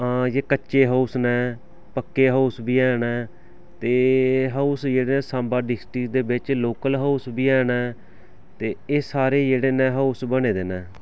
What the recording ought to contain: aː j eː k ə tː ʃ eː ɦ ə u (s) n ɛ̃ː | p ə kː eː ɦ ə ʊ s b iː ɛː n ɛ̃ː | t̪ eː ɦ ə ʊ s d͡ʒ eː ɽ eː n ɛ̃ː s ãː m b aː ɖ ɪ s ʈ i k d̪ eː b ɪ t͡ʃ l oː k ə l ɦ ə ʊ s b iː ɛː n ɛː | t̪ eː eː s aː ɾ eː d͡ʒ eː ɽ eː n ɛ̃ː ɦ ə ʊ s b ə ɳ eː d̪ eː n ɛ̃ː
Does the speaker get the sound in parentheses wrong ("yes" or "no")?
no